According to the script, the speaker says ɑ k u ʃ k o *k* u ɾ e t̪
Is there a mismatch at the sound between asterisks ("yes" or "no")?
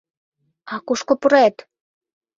yes